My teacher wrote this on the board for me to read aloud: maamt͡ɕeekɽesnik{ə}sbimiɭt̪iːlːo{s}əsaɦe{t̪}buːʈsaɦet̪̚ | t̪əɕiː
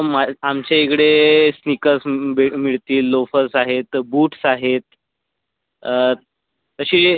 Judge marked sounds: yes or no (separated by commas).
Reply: yes, no, yes